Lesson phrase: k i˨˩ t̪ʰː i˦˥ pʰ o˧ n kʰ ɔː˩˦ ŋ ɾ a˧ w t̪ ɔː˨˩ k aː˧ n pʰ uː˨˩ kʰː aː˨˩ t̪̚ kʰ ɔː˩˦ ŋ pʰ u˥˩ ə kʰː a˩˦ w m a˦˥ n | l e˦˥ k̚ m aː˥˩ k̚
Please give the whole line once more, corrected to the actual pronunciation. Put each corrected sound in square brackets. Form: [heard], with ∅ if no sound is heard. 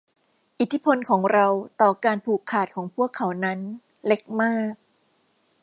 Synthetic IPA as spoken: [ʔ] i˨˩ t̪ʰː i˦˥ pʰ o˧ n kʰ ɔː˩˦ ŋ ɾ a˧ w t̪ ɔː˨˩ k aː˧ n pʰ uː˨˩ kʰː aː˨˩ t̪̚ kʰ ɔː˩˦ ŋ pʰ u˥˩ ə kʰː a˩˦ w [n] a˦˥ n | l e˦˥ k̚ m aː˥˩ k̚